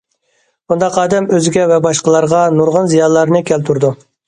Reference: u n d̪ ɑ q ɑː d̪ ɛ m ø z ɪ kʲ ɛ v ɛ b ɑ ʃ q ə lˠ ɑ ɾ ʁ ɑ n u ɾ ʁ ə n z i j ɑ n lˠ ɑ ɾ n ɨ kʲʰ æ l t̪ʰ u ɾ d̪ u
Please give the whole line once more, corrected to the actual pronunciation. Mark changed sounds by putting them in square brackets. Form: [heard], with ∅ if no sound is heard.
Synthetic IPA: u n d̪ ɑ q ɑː d̪ ɛ m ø z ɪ [ɡʲ] ɛ v ɛ b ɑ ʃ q ə lˠ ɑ ɾ ʁ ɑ n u ɾ ʁ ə n z i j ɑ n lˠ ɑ ɾ n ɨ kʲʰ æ l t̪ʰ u ɾ d̪ u